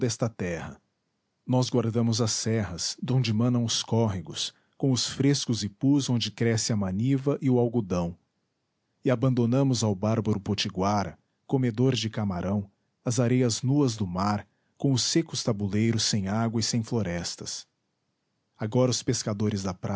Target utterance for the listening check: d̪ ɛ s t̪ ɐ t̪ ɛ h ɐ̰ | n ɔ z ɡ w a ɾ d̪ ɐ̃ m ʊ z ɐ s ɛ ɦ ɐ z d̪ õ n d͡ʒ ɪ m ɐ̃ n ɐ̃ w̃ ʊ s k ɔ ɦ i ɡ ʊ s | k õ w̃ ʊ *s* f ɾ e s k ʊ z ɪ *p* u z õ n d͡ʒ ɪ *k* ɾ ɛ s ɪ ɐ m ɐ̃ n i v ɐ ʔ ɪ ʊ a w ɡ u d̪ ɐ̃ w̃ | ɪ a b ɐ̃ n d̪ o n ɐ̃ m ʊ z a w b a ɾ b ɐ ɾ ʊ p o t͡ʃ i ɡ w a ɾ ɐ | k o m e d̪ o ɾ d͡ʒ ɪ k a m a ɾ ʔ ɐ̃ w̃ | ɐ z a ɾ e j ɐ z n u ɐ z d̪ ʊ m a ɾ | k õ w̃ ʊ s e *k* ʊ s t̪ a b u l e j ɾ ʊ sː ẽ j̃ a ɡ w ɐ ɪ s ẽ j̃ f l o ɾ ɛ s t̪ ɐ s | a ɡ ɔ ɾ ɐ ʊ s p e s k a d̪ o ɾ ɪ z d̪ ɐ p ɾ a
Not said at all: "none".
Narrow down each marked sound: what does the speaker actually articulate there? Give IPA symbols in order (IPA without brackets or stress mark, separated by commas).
s, p, k, k